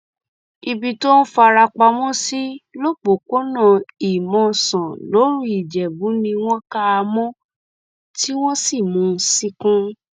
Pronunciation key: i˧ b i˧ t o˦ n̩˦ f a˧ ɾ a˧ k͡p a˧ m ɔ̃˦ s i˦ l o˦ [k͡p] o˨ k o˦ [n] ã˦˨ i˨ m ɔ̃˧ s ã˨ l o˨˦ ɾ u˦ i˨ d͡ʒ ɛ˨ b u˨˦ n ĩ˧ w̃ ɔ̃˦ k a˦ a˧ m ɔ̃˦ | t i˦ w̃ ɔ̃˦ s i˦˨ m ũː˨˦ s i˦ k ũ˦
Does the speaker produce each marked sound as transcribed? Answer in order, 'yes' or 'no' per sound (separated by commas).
yes, yes